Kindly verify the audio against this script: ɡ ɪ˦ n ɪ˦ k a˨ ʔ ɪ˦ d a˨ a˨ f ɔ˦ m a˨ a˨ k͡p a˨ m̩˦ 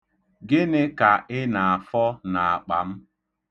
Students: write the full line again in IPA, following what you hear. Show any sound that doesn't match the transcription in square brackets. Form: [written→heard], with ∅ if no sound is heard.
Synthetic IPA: ɡ ɪ˦ n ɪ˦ k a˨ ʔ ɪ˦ [d→n] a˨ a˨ f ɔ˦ [m→n] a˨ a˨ k͡p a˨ m̩˦